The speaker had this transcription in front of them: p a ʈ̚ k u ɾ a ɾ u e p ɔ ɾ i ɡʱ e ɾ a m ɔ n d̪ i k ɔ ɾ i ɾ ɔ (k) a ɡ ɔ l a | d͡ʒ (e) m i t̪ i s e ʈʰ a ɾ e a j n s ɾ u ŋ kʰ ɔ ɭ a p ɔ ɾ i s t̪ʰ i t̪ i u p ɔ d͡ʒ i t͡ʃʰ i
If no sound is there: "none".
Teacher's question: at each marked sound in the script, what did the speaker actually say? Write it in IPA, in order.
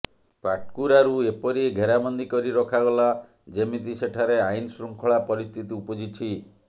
kʰ, e

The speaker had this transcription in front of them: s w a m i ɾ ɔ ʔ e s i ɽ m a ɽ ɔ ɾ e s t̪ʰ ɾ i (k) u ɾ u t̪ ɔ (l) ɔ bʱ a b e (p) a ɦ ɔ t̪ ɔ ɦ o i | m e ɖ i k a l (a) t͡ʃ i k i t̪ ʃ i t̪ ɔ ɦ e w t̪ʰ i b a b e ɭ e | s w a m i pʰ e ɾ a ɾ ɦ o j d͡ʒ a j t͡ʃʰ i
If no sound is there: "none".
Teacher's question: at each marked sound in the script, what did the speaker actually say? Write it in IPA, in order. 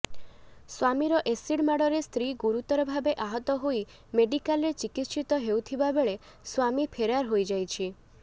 ɡ, ɾ, ʔ, e

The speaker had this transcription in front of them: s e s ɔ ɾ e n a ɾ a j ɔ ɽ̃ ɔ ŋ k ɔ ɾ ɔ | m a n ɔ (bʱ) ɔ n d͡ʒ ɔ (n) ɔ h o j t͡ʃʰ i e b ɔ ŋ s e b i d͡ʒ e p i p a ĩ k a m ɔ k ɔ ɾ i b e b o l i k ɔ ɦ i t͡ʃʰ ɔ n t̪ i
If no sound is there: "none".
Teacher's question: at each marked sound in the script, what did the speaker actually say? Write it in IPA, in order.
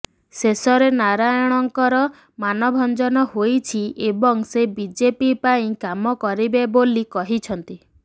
bʱ, n

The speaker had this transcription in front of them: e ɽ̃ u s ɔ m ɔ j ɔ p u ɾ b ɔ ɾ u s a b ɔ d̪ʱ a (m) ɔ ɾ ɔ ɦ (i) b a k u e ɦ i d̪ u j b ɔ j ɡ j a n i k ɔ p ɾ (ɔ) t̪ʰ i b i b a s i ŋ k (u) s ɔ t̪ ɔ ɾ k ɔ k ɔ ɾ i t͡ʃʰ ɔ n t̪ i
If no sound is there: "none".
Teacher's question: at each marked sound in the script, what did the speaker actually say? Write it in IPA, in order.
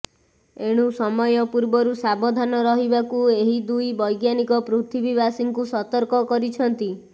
n, i, u, u

